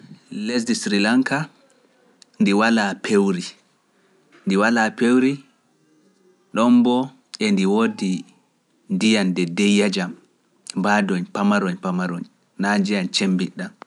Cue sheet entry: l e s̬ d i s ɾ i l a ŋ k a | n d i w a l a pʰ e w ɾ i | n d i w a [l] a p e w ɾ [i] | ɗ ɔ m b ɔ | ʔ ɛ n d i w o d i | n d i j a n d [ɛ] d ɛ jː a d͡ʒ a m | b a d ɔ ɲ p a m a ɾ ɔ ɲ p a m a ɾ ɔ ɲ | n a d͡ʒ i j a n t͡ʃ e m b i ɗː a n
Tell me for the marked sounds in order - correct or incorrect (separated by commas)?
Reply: correct, correct, correct